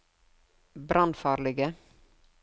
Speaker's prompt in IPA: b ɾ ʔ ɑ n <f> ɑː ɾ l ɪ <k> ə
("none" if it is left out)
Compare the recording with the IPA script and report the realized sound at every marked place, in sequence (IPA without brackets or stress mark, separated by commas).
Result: f, ɡ